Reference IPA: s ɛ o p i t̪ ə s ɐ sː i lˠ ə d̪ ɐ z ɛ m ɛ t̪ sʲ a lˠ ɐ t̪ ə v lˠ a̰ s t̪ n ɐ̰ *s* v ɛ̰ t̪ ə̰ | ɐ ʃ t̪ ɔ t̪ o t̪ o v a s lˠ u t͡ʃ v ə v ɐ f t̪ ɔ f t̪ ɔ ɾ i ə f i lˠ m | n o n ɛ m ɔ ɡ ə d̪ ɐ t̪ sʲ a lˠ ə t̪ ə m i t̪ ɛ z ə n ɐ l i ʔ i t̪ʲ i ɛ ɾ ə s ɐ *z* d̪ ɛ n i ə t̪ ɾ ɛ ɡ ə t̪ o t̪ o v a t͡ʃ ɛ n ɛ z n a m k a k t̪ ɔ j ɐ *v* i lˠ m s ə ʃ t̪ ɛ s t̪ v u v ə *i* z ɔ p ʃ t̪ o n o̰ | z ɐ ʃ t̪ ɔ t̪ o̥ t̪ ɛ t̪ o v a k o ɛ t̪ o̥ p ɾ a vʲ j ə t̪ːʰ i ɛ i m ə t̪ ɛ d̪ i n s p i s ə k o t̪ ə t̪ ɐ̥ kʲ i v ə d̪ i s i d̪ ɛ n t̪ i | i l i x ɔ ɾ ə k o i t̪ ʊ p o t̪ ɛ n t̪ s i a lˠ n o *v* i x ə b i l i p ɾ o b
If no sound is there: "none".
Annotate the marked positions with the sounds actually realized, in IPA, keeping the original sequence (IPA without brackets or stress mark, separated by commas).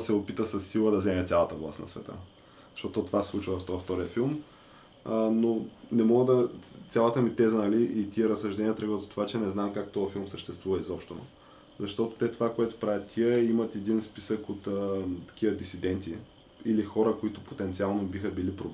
s, ʒ, f, i, b